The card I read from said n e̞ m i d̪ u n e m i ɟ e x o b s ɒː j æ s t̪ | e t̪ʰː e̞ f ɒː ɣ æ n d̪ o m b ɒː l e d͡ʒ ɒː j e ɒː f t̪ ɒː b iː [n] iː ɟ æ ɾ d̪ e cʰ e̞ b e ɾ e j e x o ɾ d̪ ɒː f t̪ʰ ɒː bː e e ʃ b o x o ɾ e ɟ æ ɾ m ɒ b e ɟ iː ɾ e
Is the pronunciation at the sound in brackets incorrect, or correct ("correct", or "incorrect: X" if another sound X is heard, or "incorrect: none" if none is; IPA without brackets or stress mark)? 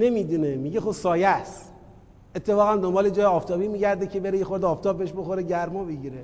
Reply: incorrect: m